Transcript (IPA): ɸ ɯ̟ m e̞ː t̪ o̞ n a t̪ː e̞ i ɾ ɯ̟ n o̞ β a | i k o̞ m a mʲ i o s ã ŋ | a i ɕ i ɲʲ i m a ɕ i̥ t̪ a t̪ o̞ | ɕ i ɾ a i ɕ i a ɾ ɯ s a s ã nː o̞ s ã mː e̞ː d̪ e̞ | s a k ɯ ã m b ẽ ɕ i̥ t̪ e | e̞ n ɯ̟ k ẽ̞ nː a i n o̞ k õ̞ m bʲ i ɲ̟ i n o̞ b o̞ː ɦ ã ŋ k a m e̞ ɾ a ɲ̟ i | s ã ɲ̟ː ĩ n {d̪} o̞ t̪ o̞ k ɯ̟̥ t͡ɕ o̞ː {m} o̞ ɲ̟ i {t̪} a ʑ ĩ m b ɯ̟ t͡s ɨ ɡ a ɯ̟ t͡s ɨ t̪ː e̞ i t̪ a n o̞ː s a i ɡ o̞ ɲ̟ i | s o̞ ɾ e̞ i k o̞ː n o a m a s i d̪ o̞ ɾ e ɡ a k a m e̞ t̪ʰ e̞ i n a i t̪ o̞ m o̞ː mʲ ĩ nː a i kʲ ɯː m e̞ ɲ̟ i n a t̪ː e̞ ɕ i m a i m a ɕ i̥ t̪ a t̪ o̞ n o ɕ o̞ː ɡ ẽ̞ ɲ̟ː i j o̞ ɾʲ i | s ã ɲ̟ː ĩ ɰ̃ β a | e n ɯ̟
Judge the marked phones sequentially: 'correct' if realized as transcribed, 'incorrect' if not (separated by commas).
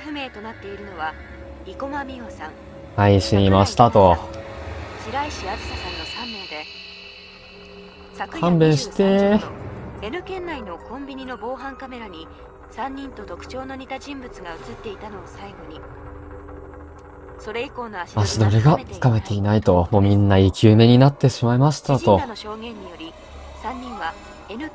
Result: incorrect, incorrect, correct